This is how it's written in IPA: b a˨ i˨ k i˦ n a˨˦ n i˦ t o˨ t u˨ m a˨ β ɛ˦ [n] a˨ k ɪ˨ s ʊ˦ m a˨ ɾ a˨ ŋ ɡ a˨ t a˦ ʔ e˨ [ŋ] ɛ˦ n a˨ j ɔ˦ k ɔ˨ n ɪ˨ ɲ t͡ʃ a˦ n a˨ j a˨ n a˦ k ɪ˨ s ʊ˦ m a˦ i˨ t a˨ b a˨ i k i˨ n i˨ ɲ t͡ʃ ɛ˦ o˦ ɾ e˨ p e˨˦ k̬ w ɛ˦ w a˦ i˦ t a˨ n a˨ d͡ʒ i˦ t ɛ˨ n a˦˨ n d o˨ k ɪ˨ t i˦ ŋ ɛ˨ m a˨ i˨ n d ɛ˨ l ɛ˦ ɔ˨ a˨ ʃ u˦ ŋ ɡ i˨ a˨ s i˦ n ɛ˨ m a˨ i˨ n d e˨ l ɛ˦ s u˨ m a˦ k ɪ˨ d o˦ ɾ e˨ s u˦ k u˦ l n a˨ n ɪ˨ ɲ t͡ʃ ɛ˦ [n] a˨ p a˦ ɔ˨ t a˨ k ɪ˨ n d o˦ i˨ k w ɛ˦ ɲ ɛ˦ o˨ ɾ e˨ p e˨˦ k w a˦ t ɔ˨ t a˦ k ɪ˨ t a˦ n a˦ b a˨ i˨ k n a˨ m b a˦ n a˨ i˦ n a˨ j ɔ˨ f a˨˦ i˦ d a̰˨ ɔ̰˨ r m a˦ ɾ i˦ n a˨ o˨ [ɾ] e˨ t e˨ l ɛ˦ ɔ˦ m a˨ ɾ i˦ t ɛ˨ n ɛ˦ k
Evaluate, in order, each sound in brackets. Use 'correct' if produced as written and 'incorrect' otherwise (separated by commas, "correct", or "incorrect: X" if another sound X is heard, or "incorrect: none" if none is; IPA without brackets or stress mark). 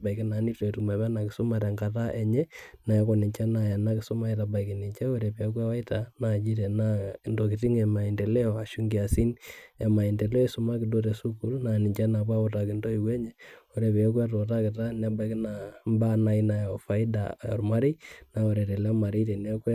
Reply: correct, incorrect: ɲ, correct, correct